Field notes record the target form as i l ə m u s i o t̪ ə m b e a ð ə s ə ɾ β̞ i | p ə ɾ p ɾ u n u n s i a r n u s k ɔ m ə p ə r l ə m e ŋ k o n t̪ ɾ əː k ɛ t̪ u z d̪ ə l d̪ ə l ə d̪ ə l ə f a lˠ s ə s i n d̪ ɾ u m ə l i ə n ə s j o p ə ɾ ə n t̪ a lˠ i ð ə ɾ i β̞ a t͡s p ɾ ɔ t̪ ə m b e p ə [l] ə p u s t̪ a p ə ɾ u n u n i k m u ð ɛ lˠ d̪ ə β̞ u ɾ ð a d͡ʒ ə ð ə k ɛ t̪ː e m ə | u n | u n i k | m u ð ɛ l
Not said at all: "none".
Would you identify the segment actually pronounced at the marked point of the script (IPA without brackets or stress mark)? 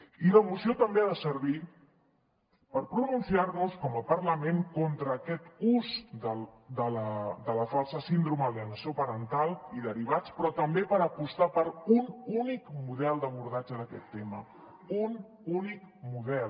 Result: ɾ